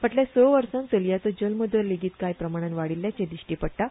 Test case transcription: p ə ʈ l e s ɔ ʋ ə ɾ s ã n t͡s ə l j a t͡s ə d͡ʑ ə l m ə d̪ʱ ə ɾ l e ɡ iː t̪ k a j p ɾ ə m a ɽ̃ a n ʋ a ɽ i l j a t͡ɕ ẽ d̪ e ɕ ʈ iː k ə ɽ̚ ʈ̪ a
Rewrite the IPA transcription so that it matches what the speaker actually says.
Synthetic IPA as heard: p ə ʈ l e s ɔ ʋ ə ɾ s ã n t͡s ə l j a t͡s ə d͡ʑ ə l m ə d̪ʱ ə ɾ l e ɡ iː t̪ k a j p ɾ ə m a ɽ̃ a n ʋ a ɽ i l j a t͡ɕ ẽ d̪ i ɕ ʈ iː p ə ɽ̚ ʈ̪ a